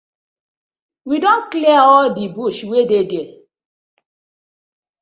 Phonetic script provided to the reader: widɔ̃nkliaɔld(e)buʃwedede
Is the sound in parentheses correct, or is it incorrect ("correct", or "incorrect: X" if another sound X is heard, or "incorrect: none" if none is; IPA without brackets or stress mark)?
incorrect: i